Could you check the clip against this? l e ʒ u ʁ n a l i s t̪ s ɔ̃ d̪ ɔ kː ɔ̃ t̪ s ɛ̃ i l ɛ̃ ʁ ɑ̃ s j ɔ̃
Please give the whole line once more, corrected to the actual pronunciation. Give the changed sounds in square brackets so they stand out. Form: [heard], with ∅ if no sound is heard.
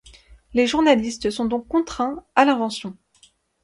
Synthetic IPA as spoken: l e ʒ u ʁ n a l i s t̪ s ɔ̃ d̪ [ɔ̃] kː ɔ̃ t̪ [χ] ɛ̃ [a] l ɛ̃ [v] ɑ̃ s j ɔ̃